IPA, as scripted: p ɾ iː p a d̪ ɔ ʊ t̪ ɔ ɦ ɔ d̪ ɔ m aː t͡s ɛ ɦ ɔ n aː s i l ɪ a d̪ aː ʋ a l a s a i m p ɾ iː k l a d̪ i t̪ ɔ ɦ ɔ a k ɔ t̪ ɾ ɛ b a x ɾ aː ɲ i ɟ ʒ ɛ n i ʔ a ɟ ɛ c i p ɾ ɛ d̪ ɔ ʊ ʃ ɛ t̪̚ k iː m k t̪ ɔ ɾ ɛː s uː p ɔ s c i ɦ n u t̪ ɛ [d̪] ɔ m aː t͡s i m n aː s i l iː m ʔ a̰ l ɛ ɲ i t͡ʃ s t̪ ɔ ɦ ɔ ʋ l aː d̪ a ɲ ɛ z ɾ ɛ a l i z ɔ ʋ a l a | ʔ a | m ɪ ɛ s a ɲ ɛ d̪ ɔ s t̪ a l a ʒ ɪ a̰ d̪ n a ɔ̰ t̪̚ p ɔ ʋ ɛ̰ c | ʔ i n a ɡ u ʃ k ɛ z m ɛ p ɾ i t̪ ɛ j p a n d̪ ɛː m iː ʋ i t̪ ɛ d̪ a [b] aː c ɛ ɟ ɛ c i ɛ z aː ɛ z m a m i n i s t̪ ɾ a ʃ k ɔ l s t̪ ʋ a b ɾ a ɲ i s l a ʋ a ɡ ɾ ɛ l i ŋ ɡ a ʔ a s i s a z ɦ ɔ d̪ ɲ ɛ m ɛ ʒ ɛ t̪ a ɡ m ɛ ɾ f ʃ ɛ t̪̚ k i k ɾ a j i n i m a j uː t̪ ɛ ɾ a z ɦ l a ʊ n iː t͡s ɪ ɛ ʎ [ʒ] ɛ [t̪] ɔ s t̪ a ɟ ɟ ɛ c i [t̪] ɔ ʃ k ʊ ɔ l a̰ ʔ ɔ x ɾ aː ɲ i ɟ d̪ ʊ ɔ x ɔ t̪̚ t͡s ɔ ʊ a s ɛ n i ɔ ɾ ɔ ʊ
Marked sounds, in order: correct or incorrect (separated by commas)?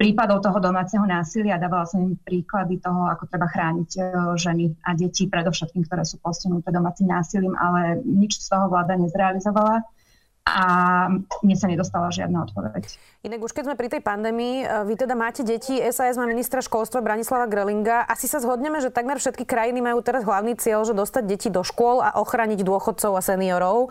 correct, incorrect, correct, incorrect, incorrect